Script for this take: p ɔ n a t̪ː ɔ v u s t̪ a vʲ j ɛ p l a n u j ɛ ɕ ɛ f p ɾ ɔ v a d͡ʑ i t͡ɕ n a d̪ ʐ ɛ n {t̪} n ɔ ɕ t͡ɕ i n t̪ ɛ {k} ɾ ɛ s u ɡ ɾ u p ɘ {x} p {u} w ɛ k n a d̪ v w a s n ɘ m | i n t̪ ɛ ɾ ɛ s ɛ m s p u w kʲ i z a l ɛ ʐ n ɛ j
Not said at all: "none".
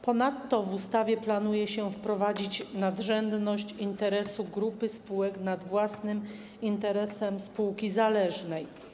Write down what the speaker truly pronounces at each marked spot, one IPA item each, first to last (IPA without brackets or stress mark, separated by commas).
d̪, none, s, u